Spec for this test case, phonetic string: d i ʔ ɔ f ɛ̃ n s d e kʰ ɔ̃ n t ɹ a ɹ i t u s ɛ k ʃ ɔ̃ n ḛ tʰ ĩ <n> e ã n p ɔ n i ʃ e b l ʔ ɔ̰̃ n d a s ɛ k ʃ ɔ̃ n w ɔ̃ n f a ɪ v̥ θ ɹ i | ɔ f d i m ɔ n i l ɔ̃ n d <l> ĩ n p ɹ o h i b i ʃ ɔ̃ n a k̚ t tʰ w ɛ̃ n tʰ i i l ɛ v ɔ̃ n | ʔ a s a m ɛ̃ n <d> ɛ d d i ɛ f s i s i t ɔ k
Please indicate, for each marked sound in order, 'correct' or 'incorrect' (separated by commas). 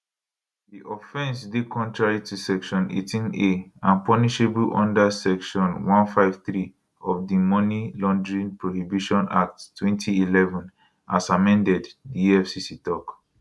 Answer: correct, incorrect, correct